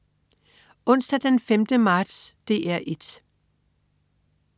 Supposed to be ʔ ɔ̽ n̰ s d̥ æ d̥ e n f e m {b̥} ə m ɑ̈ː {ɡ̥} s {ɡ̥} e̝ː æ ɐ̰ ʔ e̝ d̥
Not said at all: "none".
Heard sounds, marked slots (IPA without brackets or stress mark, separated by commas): d̥, d̥, d̥